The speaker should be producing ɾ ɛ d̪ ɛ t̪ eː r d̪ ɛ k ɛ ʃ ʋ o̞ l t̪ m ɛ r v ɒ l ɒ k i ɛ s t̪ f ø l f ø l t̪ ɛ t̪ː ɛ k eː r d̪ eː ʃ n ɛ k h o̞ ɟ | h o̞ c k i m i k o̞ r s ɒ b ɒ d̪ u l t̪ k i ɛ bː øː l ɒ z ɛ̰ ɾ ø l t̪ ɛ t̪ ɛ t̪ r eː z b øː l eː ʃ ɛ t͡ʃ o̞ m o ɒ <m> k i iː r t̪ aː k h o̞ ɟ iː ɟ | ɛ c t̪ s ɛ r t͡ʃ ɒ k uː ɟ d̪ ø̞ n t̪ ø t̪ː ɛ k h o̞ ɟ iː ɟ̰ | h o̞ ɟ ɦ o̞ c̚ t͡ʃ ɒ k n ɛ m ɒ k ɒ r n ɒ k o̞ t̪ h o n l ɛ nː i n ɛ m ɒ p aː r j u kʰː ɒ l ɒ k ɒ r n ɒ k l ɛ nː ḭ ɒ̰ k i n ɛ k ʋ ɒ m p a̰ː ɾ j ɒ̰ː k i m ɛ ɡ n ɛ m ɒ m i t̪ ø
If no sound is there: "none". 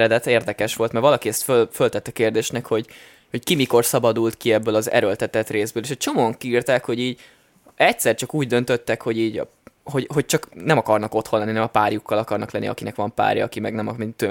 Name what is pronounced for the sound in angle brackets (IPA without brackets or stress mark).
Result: ŋ